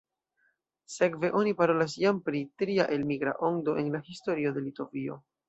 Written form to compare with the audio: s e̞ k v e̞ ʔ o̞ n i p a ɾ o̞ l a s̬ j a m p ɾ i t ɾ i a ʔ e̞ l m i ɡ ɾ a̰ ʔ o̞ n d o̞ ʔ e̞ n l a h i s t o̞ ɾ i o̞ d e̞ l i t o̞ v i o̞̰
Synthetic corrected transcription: s e̞ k v e̞ ʔ o̞ n i p a ɾ o̞ l a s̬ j a m p ɾ i t ɾ i a ʔ e̞ l m i ɡ ɾ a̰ ʔ o̞ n d o̞ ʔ e̞ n l a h i s t o̞ ɾ i o̞ d e̞ l i t o̞ v i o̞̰